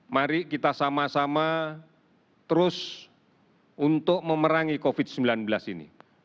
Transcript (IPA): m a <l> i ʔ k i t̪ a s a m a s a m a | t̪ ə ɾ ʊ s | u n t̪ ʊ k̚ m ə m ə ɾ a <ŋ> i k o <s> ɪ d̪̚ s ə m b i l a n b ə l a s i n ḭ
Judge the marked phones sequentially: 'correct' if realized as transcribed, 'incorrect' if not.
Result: incorrect: ɾ, correct, incorrect: f

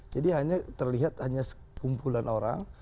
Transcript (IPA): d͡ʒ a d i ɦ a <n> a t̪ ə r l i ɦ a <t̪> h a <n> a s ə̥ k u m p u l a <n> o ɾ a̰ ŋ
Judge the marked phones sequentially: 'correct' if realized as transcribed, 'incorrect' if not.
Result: incorrect: ɲ, correct, incorrect: ɲ, correct

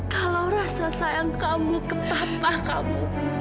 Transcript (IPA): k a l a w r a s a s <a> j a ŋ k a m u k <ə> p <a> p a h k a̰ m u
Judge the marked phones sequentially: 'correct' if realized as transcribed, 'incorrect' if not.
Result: correct, correct, correct

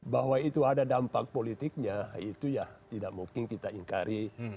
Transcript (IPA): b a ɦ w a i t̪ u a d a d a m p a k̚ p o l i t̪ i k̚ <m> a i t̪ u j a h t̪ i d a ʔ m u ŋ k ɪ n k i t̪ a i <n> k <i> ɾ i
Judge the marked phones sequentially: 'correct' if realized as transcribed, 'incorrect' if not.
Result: incorrect: ɲ, incorrect: ŋ, incorrect: a

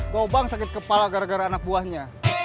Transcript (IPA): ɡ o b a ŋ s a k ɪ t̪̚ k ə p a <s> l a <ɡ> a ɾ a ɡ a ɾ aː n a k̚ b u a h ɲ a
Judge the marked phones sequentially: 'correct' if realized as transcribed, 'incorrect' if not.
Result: incorrect: none, correct

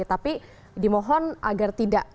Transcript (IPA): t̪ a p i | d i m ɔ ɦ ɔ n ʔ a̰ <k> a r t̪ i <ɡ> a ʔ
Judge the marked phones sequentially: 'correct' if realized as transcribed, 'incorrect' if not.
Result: incorrect: ɡ, incorrect: d

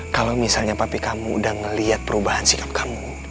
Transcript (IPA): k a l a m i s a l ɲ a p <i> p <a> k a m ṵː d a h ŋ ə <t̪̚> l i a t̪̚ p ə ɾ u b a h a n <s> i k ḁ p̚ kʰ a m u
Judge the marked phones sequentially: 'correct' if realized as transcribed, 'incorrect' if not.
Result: incorrect: a, incorrect: i, incorrect: none, correct

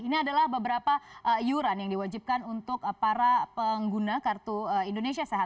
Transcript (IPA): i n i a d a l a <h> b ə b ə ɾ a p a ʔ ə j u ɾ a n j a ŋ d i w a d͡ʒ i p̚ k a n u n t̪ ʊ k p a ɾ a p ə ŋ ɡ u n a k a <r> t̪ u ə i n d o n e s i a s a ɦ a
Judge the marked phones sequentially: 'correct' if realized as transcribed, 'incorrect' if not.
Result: correct, correct

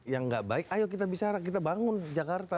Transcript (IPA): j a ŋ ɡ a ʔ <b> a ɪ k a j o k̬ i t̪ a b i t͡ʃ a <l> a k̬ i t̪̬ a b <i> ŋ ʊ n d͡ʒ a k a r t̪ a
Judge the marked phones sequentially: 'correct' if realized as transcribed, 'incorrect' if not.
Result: correct, incorrect: ɾ, incorrect: a

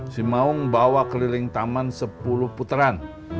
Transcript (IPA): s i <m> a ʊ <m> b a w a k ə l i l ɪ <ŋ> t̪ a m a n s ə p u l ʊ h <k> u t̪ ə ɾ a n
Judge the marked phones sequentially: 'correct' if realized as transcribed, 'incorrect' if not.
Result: correct, incorrect: ŋ, correct, incorrect: p

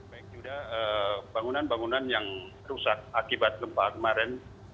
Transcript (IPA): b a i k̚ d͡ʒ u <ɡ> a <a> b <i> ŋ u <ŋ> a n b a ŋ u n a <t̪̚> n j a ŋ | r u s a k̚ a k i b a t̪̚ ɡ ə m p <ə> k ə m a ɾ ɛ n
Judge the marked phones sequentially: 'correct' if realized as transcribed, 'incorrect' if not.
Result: incorrect: d, incorrect: ə, incorrect: a, incorrect: n, incorrect: none, incorrect: a

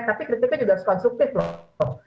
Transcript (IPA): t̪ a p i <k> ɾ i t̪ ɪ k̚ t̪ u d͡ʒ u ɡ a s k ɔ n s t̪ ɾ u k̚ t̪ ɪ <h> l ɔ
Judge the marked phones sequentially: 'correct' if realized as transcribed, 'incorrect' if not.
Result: correct, incorrect: f

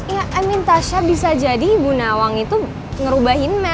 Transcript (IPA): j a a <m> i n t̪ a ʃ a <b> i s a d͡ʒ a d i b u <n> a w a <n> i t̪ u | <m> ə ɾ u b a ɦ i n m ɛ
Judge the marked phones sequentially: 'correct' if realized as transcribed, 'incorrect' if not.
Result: correct, correct, correct, incorrect: ŋ, incorrect: ŋ

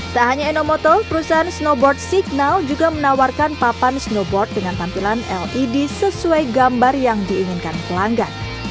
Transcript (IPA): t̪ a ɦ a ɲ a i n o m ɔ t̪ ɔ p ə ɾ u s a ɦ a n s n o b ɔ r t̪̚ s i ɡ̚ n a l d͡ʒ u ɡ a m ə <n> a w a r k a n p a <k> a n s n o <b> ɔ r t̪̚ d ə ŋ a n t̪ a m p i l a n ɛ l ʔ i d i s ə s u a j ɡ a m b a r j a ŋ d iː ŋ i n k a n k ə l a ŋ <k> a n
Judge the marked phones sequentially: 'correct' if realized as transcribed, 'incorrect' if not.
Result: correct, incorrect: p, correct, incorrect: ɡ

